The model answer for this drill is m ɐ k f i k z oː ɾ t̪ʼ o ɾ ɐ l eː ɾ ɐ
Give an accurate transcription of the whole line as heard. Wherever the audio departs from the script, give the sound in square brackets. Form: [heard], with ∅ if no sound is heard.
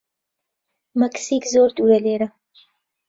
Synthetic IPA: m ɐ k [s] i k z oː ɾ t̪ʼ [u] ɾ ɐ l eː ɾ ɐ